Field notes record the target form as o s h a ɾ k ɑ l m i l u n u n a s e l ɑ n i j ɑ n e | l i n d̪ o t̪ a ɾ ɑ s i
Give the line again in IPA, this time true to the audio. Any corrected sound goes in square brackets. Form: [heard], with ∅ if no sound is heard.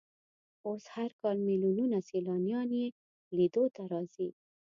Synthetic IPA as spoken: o s h a ɾ k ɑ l m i l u n u n a s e l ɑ n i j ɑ n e | l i [∅] d̪ o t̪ a ɾ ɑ [z] i